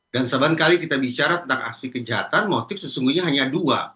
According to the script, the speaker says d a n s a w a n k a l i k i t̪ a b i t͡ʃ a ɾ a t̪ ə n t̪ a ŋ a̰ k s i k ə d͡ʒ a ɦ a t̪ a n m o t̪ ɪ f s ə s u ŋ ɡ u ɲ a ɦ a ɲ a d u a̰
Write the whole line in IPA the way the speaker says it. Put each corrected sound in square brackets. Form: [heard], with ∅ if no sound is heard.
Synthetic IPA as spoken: d a n s a [b] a n k a l i k i t̪ a b i t͡ʃ a ɾ a t̪ ə n t̪ a ŋ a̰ k s i k ə d͡ʒ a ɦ a t̪ a n m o t̪ ɪ f s ə s u ŋ ɡ u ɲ a ɦ a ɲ a d u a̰